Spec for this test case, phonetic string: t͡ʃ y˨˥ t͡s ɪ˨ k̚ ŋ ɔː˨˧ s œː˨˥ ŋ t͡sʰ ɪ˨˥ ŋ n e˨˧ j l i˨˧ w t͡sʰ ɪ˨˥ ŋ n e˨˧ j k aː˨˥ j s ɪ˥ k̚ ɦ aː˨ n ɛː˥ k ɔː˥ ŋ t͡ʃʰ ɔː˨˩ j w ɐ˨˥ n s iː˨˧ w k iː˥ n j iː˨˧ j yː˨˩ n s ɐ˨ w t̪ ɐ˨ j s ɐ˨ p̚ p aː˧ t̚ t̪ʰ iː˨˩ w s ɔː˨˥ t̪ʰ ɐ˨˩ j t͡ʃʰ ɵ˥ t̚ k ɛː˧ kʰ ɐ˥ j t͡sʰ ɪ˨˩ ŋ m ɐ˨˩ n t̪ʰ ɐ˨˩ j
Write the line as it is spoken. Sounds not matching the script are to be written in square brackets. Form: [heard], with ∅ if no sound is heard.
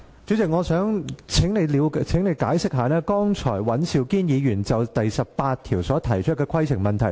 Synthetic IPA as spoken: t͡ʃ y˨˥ t͡s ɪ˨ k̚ ŋ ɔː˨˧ s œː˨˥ ŋ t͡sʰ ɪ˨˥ ŋ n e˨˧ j l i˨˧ w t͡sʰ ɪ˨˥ ŋ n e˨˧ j k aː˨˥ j s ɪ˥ k̚ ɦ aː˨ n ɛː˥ k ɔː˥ ŋ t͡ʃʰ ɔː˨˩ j w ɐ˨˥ n s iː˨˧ w k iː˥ n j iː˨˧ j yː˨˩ n [t͡s] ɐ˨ w t̪ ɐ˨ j s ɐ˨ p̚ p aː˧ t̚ t̪ʰ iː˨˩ w s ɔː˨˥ t̪ʰ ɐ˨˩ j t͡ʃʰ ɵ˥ t̚ k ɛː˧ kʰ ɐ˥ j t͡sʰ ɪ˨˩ ŋ m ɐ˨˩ n t̪ʰ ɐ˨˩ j